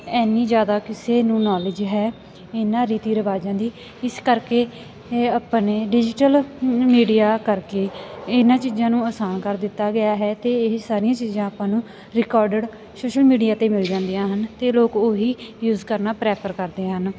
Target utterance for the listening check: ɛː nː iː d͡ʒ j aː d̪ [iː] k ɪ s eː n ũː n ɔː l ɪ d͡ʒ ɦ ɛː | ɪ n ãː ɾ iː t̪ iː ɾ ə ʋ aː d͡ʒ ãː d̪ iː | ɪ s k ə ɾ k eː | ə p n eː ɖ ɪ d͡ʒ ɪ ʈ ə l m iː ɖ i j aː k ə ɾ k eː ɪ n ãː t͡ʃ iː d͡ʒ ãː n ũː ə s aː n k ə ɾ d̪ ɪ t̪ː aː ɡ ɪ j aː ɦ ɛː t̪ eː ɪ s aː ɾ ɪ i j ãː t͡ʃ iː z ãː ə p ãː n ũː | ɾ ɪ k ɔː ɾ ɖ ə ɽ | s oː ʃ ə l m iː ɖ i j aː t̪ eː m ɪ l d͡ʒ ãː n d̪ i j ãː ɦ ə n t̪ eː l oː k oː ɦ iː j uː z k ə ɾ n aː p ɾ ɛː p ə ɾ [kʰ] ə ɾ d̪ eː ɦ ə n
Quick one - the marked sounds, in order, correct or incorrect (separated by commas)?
incorrect, incorrect